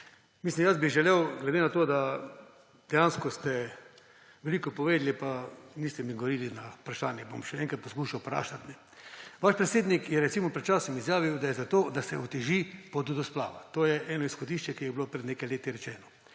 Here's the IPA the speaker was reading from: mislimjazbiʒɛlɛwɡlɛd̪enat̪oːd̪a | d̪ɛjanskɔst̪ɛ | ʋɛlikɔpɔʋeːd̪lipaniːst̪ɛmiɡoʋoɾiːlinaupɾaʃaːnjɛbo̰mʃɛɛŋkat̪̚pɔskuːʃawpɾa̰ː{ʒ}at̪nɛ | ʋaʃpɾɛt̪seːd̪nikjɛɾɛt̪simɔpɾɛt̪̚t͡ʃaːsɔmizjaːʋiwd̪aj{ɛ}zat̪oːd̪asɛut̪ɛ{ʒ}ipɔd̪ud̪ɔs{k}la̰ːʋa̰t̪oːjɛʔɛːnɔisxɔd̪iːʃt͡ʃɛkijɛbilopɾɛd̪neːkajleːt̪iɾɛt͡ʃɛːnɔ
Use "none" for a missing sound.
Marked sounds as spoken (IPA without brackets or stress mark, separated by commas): ʃ, ɛ, ʒ, p